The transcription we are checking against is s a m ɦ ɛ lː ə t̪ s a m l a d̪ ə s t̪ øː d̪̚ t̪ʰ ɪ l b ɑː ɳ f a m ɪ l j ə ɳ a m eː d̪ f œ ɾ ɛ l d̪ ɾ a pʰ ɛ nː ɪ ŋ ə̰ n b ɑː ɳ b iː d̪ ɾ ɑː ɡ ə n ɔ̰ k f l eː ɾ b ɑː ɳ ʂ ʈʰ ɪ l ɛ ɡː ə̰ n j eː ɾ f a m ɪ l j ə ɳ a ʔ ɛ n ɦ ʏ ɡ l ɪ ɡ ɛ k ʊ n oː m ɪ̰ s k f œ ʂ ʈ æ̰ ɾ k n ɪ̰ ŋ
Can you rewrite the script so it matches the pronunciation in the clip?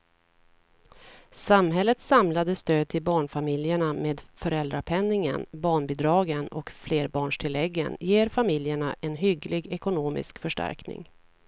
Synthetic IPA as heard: s a m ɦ ɛ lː ə t̪ s a m l a d̪ ə s t̪ øː d̪̚ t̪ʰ ɪ l b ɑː ɳ f a m ɪ l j ə ɳ a m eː d̪ f œ ɾ ɛ l d̪ ɾ a pʰ ɛ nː ɪ ŋ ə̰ n b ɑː ɳ b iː d̪ ɾ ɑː ɡ ə n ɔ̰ k f l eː ɾ b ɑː ɳ ʂ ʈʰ ɪ l ɛ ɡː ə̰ n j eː ɾ f a m ɪ l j ə ɳ a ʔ ɛ n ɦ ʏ ɡ l ɪ ɡ ɛ k ʊ n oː m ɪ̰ s k f œ ʂ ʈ æ̰ ɾ k n ɪ̰ ŋ